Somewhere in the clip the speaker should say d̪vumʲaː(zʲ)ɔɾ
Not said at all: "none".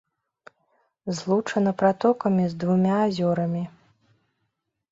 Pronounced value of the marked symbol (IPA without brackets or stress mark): zʲ